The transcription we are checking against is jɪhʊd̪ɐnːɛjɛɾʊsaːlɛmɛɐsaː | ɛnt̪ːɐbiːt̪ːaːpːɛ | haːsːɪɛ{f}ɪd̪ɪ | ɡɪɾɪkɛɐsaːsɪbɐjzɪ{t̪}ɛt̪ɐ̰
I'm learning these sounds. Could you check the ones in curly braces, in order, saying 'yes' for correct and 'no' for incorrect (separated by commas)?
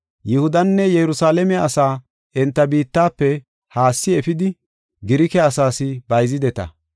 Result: yes, no